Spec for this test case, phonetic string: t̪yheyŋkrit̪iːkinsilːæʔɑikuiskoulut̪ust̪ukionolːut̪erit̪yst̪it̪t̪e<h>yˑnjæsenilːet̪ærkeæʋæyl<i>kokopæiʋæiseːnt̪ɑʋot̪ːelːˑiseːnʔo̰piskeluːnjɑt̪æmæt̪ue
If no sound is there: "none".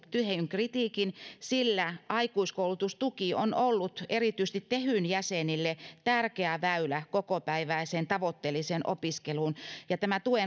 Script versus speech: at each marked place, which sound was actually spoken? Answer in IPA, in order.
h, æ

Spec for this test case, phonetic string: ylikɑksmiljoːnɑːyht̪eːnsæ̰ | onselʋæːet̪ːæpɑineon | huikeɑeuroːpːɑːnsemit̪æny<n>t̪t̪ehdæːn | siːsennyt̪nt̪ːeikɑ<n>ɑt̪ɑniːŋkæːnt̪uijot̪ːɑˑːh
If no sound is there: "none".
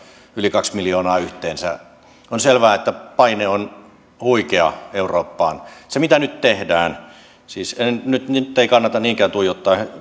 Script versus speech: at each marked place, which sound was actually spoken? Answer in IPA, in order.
none, nː

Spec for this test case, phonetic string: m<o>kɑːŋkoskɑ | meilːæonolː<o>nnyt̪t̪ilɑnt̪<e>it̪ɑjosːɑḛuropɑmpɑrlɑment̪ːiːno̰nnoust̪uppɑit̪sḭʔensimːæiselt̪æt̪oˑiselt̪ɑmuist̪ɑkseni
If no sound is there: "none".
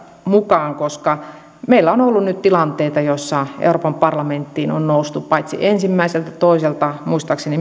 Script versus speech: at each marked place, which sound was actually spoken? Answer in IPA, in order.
u, u, e

